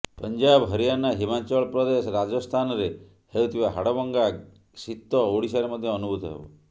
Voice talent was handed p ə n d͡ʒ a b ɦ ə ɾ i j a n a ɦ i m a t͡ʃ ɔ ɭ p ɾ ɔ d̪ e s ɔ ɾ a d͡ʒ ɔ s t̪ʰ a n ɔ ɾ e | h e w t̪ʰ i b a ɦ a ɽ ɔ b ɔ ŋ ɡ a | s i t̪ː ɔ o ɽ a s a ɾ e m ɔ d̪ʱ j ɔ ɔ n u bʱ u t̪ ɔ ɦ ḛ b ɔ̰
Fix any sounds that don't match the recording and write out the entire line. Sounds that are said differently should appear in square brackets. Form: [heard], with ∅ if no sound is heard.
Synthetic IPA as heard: p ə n d͡ʒ a b ɦ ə ɾ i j a n a ɦ i m a t͡ʃ ɔ ɭ p ɾ ɔ d̪ e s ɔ ɾ a d͡ʒ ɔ s t̪ʰ a n ɔ ɾ e | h e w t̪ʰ i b a ɦ a ɽ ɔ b ɔ ŋ ɡ a | s i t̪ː ɔ o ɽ [i] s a ɾ e m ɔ d̪ʱ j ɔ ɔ n u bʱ u t̪ ɔ ɦ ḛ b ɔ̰